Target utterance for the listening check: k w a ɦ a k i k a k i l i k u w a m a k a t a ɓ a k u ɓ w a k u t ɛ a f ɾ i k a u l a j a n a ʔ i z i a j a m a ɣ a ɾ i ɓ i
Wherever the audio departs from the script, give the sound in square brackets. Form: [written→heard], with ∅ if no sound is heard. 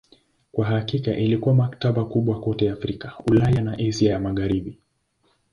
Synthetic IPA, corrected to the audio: k w a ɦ a k i k a [k→ʔ] i l i k u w a m a k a t a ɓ a k u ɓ w a k [u→ɔ] t ɛ a f ɾ i k a u l a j a n a ʔ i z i a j a m a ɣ a ɾ i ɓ i